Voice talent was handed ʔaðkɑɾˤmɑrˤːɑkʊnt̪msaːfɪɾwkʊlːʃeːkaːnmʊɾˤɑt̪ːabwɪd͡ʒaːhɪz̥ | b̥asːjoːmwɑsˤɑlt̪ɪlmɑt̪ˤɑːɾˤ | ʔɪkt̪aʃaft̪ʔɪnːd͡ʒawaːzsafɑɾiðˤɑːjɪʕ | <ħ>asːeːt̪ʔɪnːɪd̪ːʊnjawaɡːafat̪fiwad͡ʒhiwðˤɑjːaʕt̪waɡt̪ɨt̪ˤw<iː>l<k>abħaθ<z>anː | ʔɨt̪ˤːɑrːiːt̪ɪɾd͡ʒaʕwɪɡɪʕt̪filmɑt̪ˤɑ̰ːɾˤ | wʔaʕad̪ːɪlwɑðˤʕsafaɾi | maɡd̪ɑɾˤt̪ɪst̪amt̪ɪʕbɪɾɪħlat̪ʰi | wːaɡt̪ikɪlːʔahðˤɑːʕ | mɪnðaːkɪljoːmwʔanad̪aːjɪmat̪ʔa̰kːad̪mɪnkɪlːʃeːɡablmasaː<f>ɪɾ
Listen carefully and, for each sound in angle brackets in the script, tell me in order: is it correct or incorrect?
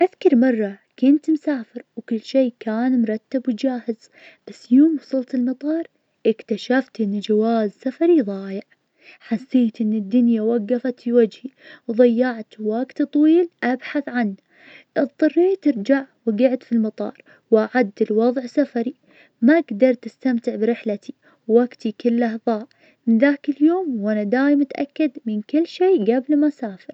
correct, correct, incorrect, incorrect, correct

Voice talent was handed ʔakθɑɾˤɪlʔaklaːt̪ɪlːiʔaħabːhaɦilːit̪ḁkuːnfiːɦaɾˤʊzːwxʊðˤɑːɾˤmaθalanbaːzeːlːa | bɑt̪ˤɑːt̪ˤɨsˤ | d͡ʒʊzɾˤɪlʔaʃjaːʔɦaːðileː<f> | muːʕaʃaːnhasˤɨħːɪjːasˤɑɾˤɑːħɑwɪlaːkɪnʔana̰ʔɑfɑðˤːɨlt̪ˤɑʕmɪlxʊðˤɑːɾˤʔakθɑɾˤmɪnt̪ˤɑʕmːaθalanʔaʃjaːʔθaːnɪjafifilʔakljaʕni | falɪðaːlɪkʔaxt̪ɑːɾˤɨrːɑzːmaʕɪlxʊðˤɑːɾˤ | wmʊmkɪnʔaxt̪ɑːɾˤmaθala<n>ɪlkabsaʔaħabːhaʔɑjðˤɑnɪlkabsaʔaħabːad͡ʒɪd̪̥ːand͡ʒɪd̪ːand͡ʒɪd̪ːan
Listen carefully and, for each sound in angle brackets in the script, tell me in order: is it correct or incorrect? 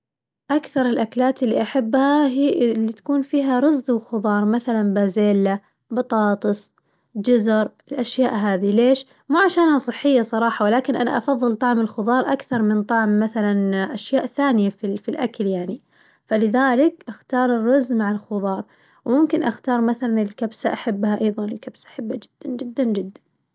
incorrect, correct

